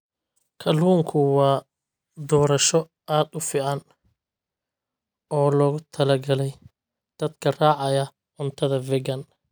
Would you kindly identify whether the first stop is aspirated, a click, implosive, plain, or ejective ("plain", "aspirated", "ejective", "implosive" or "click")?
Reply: aspirated